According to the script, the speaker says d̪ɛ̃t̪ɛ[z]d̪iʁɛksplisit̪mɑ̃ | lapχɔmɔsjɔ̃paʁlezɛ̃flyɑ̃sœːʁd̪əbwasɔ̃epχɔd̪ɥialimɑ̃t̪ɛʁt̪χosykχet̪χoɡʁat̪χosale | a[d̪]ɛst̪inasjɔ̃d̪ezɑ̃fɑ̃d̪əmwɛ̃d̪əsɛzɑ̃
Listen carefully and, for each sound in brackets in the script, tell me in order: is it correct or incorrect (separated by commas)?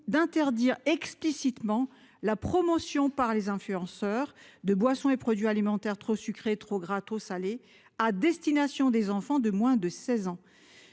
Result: incorrect, correct